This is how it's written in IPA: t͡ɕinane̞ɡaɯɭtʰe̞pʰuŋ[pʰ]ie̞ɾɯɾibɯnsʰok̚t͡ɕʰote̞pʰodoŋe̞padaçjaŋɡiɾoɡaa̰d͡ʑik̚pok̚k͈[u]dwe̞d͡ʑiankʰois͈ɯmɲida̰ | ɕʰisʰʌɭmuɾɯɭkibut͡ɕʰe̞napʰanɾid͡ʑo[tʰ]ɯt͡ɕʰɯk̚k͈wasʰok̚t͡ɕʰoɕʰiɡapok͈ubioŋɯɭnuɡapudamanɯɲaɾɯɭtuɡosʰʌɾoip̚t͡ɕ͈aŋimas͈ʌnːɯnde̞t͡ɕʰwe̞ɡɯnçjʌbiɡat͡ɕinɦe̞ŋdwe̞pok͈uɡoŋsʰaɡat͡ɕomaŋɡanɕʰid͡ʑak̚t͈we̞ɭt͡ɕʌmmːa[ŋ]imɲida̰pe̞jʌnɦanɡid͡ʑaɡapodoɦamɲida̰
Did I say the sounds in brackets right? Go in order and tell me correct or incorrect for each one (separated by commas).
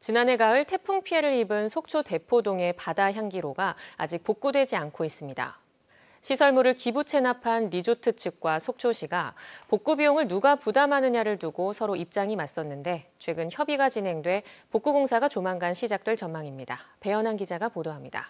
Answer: correct, correct, correct, correct